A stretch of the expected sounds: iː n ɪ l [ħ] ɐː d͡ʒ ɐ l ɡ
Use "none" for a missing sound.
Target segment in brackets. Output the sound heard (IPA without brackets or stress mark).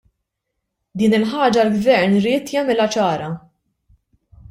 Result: ħ